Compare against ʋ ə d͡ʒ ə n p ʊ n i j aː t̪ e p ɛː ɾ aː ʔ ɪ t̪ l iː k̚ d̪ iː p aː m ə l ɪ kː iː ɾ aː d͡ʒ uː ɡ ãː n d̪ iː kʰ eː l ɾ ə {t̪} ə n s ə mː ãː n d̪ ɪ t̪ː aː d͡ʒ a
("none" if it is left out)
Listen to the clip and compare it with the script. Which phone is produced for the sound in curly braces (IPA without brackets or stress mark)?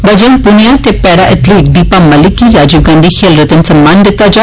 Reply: t̪